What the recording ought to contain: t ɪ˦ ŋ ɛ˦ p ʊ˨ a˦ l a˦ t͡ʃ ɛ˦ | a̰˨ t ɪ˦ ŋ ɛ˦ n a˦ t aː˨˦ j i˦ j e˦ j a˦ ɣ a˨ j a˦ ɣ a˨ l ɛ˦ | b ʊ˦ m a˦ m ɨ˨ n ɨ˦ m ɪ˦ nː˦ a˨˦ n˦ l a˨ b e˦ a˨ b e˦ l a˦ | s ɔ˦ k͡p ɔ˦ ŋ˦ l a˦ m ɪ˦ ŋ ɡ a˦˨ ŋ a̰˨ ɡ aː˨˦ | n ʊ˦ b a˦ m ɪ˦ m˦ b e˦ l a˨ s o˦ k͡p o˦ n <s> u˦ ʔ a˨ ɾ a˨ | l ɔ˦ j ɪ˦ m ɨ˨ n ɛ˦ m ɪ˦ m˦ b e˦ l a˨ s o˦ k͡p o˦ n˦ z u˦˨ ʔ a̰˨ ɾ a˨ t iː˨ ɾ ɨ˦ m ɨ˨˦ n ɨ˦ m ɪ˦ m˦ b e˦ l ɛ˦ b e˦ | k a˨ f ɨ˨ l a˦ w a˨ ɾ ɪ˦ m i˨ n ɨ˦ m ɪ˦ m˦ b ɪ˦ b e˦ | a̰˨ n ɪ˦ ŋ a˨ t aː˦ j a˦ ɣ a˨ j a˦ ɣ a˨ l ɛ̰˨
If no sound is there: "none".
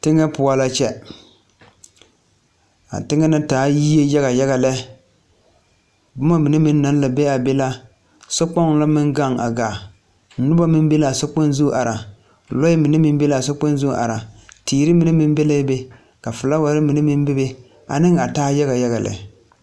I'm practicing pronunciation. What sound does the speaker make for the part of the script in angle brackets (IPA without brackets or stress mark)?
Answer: z